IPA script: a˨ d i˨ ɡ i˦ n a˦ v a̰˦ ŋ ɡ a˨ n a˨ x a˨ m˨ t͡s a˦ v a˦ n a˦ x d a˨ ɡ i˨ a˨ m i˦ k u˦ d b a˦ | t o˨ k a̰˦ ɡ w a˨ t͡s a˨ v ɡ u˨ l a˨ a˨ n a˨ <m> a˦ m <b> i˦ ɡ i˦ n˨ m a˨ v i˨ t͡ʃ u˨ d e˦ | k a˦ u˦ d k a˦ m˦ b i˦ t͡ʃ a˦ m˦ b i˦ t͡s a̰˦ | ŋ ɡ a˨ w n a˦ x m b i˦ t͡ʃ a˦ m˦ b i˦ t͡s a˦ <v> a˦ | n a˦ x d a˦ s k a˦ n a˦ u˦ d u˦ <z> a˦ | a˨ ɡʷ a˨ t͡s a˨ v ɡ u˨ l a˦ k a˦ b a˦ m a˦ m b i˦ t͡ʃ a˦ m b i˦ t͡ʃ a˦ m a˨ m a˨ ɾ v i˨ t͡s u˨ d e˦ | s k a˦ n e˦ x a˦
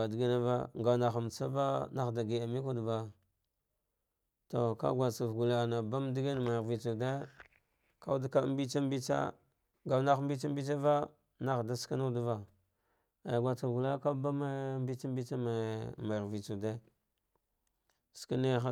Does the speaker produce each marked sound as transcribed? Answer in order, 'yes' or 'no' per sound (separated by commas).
no, no, yes, no